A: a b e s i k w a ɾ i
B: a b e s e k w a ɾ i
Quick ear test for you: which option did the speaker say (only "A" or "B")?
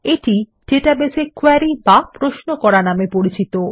B